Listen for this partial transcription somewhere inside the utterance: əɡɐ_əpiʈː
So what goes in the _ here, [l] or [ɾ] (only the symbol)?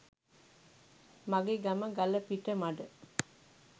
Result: l